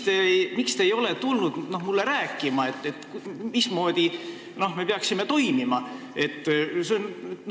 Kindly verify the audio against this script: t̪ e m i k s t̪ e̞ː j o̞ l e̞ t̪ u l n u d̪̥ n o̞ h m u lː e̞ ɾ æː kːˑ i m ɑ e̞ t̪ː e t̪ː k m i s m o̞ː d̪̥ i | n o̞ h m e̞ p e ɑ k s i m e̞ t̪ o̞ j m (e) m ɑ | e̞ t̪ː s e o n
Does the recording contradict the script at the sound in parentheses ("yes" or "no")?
yes